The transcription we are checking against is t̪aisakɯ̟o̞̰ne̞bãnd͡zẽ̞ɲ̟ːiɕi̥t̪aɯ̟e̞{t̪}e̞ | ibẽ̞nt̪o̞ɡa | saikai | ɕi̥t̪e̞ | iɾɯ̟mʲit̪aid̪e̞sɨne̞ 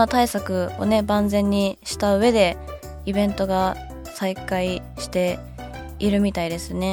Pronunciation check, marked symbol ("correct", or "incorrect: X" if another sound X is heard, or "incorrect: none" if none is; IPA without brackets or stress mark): incorrect: d̪